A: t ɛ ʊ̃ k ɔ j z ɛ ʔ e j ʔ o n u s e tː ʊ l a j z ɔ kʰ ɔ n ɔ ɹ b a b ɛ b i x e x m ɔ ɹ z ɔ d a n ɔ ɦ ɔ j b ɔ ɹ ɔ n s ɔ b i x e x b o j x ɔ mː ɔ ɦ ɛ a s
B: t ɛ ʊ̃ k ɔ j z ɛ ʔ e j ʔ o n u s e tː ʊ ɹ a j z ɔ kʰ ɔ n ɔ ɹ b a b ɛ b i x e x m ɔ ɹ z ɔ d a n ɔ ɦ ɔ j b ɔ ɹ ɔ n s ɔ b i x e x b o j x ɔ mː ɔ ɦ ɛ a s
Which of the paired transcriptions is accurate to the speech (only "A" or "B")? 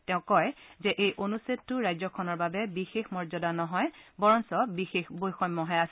B